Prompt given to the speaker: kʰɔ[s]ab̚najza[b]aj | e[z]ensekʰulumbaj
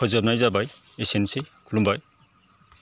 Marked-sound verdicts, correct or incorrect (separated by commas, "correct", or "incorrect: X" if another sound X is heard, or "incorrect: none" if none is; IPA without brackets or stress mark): incorrect: z, correct, incorrect: s